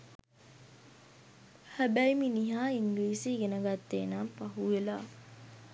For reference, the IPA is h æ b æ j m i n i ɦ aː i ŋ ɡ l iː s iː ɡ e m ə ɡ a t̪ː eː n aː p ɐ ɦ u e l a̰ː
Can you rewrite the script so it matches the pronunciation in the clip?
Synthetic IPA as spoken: h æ b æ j m i n i ɦ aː i ŋ ɡ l iː s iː ɡ e n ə ɡ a t̪ː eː n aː p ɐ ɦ u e l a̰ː